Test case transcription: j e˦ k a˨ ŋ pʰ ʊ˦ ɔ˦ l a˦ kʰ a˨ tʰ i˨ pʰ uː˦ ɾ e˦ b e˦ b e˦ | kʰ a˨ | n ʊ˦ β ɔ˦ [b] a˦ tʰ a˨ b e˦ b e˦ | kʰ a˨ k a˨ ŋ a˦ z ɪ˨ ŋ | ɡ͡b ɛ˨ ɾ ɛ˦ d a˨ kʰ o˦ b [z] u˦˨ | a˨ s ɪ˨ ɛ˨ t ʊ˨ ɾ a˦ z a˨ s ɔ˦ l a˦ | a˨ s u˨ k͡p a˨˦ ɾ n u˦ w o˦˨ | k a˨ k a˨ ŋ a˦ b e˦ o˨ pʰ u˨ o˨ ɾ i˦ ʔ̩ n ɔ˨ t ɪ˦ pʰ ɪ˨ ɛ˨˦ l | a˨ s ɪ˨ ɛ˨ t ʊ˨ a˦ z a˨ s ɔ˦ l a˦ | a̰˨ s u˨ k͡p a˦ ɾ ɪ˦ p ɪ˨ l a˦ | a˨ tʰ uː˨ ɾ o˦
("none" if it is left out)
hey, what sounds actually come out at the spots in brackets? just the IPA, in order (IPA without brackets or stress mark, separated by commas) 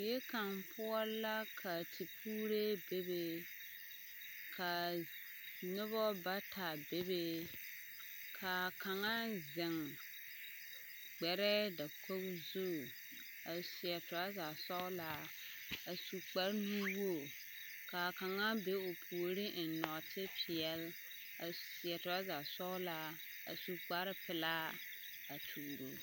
b, z